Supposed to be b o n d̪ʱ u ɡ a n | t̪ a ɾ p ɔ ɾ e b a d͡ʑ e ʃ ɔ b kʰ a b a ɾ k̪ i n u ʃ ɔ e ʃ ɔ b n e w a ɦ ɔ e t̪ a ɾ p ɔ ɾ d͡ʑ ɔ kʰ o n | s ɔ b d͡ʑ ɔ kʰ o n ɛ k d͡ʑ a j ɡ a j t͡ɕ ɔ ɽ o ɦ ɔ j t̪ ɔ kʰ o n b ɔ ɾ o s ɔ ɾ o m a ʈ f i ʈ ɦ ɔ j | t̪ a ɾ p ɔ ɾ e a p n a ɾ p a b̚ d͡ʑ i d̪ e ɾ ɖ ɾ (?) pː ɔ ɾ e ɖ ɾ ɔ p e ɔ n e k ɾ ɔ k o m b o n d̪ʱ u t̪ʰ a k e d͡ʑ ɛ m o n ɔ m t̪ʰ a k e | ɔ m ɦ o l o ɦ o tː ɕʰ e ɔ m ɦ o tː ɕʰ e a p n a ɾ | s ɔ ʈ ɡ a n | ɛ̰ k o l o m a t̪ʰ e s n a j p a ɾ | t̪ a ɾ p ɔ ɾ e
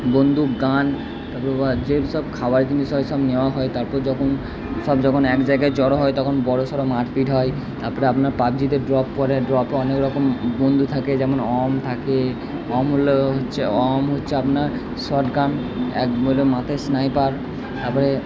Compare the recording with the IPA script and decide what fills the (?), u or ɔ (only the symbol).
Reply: ɔ